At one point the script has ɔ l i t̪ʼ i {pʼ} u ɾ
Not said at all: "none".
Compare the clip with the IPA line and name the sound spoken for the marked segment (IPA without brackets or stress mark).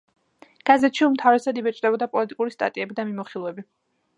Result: kʼ